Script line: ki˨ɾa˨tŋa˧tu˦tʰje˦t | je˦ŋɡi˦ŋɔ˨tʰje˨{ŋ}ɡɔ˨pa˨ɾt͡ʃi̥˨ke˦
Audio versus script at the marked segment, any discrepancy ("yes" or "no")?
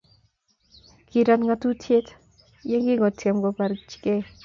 yes